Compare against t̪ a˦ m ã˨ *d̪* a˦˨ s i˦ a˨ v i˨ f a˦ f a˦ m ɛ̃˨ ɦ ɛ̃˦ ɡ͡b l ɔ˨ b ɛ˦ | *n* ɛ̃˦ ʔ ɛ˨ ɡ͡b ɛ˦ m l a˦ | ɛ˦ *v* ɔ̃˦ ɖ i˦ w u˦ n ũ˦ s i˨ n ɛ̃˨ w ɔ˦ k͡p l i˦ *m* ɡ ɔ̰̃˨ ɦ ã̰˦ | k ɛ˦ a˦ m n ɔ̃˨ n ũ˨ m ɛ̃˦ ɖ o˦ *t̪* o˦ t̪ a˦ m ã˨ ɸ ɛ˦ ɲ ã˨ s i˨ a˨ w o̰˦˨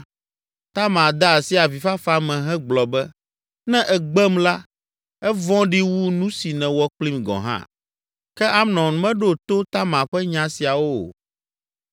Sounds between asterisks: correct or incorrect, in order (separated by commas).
correct, correct, correct, correct, correct